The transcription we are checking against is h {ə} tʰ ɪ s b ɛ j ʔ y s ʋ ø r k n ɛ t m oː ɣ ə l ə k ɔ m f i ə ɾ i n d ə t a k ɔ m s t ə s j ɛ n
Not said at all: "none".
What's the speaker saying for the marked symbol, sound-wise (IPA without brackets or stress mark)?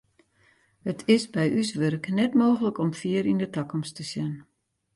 ə